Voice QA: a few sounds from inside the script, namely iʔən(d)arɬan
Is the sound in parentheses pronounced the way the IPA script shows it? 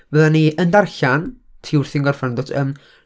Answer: yes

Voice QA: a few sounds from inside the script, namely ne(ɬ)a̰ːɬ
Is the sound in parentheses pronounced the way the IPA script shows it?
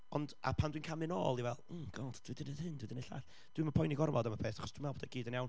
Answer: yes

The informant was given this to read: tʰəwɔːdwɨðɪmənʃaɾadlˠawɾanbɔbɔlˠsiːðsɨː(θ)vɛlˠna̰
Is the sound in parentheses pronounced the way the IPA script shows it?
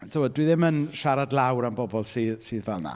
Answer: no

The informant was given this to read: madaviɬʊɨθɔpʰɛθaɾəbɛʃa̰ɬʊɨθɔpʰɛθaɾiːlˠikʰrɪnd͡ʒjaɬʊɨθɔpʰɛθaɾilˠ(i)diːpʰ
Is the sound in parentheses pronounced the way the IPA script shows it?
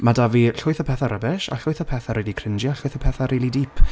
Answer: yes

